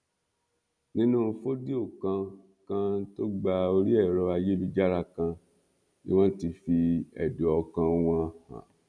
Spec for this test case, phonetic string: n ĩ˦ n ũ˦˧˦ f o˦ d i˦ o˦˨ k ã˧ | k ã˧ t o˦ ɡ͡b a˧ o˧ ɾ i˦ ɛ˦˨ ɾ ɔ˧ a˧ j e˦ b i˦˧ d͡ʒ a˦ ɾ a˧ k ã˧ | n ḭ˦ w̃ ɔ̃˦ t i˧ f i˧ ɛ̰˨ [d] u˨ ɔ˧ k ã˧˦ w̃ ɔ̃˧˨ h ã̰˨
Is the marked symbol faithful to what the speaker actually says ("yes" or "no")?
yes